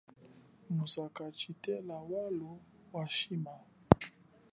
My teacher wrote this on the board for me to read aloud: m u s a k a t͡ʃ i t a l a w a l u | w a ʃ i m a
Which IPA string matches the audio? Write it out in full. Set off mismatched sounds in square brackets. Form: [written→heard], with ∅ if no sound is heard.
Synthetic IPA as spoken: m u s a k a t͡ʃ i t [a→ɛ] l a w a l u | w a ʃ i m a